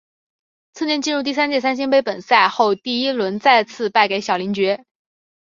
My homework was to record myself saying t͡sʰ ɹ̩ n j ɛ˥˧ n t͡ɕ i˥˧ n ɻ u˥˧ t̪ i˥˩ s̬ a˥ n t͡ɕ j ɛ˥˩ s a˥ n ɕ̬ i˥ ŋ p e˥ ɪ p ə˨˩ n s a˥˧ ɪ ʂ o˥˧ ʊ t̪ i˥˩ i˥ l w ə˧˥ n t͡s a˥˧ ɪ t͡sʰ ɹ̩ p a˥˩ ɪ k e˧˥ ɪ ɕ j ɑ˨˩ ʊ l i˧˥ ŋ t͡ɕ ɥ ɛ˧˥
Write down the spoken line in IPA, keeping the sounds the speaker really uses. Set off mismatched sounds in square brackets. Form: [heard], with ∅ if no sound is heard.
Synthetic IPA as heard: t͡sʰ ɹ̩ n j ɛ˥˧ n t͡ɕ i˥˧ n ɻ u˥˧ t̪ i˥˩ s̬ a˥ n t͡ɕ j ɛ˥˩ s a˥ n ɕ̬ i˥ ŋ p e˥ ɪ p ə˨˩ n s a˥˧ ɪ [x] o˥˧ ʊ t̪ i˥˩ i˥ l w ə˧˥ n t͡s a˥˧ ɪ t͡sʰ ɹ̩ p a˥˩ ɪ k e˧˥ ɪ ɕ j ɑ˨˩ ʊ l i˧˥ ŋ t͡ɕ ɥ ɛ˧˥